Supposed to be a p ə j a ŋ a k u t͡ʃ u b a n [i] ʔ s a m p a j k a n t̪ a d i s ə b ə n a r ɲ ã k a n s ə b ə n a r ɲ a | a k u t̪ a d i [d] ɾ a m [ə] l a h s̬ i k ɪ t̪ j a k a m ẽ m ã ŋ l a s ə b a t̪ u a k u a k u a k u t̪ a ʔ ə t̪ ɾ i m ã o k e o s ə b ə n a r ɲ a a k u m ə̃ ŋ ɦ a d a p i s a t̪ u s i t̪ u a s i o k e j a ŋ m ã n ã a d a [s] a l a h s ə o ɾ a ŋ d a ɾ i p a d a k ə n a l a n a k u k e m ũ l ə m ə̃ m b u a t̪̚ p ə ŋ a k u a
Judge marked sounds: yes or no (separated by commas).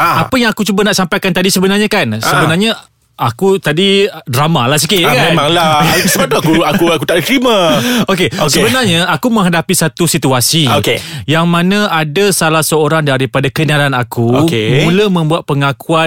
no, yes, no, yes